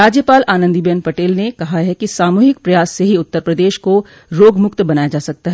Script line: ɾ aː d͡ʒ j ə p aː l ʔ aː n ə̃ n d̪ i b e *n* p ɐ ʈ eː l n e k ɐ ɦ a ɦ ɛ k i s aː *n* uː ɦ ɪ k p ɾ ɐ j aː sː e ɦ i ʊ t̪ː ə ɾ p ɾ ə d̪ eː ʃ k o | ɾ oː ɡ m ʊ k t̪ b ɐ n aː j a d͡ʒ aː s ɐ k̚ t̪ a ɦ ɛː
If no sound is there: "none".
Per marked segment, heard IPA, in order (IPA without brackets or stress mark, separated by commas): n, m